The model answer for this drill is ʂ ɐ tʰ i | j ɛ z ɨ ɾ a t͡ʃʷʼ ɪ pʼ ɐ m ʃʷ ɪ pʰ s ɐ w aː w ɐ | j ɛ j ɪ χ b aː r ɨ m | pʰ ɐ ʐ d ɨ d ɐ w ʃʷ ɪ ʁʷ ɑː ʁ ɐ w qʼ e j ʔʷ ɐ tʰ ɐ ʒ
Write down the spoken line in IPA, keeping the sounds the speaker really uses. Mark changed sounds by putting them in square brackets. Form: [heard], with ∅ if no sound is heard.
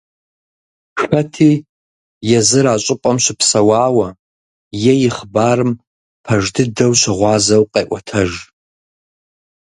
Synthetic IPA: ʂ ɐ tʰ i | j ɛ z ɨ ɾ a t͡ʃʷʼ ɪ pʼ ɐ m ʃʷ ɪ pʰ s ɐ w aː w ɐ | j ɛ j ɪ χ b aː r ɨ m | pʰ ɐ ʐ d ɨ d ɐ w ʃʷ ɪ ʁʷ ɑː [z] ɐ w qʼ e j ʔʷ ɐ tʰ ɐ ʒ